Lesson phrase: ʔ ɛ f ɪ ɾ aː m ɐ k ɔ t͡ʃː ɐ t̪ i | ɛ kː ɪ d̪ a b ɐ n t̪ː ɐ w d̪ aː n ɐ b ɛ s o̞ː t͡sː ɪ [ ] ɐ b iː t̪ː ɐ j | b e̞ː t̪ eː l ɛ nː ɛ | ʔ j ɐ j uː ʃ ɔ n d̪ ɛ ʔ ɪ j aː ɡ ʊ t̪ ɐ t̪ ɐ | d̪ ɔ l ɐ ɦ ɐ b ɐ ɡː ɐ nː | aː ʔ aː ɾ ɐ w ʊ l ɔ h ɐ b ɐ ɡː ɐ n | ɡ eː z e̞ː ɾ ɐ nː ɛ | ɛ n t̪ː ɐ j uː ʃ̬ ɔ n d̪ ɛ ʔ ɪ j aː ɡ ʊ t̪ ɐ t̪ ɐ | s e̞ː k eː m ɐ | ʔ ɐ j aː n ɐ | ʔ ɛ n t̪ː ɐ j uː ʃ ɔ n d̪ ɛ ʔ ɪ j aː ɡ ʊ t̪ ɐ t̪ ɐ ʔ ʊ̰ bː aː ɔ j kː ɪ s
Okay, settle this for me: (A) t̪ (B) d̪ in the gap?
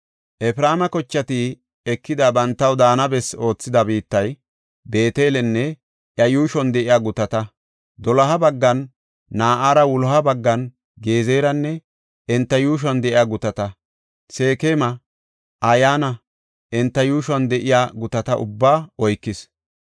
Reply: B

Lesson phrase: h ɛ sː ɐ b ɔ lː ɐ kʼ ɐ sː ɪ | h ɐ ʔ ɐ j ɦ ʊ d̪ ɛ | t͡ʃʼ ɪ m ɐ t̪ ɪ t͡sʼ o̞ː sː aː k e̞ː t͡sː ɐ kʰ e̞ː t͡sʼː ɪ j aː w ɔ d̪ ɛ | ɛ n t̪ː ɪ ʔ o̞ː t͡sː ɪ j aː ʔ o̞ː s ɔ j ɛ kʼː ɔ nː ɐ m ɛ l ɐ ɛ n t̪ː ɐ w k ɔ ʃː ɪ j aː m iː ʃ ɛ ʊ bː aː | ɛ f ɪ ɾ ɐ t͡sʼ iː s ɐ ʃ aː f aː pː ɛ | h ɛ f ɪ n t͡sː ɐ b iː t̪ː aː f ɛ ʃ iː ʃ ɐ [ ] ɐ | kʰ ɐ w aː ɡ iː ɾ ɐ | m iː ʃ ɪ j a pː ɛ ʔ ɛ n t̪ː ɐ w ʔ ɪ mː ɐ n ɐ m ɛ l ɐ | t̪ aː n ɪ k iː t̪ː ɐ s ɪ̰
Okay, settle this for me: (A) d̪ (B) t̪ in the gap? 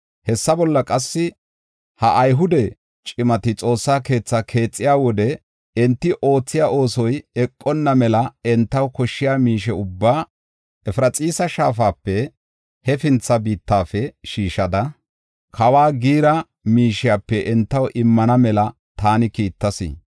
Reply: A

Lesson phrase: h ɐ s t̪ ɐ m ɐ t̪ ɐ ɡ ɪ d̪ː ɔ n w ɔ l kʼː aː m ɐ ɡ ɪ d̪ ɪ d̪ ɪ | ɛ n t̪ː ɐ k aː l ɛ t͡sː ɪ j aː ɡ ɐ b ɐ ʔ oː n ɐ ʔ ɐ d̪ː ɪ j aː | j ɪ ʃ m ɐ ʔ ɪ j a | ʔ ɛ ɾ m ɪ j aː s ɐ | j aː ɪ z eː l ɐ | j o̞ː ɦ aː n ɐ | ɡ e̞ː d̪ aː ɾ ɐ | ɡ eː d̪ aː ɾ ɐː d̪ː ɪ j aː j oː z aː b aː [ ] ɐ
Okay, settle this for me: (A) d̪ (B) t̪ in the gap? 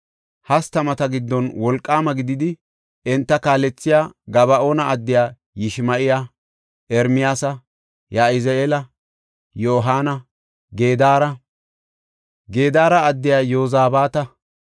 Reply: B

